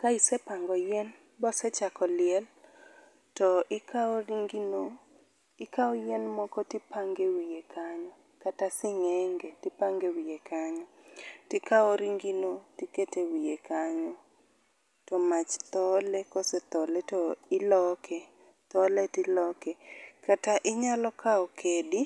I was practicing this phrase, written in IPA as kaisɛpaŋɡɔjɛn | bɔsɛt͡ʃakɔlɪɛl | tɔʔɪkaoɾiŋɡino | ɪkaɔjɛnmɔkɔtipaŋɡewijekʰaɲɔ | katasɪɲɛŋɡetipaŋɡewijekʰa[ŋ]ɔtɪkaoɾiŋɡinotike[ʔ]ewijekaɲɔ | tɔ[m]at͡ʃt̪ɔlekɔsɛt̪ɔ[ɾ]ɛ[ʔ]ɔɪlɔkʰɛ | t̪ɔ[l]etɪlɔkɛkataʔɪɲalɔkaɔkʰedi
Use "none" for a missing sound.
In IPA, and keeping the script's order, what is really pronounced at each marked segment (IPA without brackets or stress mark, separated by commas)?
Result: ɲ, t, m, l, t, l